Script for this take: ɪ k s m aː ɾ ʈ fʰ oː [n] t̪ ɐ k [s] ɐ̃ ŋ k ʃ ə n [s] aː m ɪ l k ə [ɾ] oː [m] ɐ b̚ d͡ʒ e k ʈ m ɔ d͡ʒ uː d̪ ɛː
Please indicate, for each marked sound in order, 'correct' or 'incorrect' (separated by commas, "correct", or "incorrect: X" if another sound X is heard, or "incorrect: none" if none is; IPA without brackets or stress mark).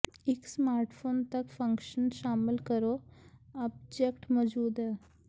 correct, incorrect: f, incorrect: ʃ, correct, incorrect: none